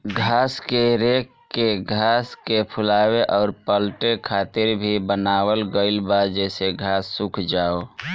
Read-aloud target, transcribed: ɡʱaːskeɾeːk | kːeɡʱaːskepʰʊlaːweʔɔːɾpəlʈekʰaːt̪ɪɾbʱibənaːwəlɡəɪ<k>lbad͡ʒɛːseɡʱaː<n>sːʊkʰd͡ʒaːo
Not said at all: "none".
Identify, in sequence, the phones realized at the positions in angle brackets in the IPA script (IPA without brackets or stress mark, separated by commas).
none, none